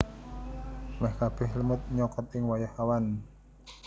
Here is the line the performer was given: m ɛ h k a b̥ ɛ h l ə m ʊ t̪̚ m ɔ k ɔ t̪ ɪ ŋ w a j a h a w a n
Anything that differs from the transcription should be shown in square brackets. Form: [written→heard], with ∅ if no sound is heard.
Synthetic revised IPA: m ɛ h k a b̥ ɛ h l ə m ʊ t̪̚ [m→ɲ] ɔ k ɔ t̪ ɪ ŋ w a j a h a w a n